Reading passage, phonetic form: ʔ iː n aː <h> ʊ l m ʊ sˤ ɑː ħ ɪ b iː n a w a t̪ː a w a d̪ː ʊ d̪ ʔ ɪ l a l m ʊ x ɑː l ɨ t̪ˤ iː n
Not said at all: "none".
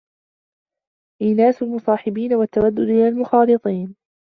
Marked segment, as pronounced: s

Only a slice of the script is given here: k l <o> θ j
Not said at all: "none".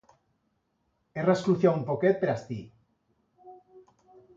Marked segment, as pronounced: u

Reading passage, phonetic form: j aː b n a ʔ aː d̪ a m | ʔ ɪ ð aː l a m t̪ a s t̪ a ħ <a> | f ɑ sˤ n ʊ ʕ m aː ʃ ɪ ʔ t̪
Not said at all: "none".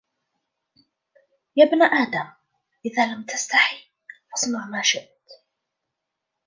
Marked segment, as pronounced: i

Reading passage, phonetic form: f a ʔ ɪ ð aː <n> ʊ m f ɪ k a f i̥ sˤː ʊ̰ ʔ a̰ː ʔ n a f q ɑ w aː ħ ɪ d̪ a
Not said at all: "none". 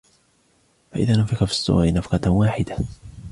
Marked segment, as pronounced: n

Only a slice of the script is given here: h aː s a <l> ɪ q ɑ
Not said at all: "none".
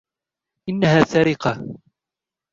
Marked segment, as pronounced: ɾ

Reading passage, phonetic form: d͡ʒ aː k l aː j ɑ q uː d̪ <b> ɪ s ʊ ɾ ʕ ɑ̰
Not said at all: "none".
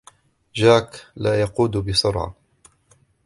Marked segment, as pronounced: b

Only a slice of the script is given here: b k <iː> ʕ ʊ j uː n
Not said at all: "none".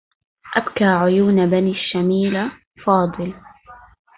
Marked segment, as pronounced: aː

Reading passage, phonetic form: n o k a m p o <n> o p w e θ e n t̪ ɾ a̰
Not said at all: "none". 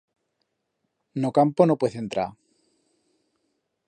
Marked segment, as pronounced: n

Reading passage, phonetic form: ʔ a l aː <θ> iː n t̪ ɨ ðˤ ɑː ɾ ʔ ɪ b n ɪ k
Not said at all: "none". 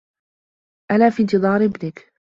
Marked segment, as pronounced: f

